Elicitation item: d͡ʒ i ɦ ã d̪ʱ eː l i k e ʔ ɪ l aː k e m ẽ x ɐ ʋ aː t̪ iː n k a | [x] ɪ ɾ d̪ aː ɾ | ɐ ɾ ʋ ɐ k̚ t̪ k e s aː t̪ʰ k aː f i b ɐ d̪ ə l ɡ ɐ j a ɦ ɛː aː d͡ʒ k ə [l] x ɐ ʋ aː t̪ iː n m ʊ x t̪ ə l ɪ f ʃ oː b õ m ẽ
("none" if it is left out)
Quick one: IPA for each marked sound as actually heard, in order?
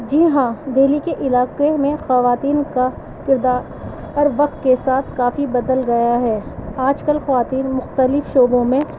k, l

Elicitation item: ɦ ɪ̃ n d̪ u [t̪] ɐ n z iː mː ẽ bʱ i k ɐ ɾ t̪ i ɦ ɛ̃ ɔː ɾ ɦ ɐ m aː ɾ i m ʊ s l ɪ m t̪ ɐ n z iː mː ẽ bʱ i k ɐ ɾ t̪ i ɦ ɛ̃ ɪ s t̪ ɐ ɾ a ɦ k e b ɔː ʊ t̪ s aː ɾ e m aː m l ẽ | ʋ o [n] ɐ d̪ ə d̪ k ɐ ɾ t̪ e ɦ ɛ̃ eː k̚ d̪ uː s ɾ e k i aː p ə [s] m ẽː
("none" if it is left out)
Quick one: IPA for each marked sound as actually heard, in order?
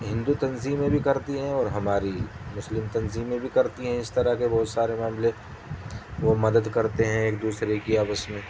t̪, m, s

